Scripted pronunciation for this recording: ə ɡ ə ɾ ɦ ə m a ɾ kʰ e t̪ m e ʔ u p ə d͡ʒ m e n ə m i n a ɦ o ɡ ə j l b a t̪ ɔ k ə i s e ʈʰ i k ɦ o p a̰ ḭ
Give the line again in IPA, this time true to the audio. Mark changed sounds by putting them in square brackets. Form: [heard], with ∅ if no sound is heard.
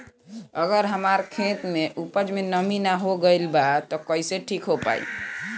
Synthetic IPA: ə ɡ ə ɾ ɦ ə m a ɾ kʰ e t̪ m e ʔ u p ə d͡ʒ m e n ə m i n a ɦ o ɡ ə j l b a t̪ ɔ k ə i s e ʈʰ i k ɦ o p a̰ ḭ